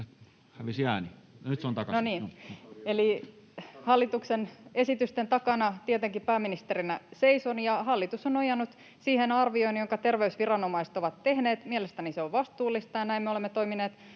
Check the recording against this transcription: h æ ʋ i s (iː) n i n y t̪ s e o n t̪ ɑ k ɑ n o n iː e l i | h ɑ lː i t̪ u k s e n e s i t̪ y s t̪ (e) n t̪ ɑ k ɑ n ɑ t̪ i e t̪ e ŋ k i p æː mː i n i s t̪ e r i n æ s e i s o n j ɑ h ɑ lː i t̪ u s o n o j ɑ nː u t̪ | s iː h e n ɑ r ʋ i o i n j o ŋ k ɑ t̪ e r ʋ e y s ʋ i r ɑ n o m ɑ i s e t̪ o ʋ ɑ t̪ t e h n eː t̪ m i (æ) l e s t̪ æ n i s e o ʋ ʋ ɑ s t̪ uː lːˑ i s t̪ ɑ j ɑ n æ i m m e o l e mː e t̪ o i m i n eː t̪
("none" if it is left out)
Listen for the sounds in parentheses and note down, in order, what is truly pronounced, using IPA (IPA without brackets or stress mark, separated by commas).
æː, e, e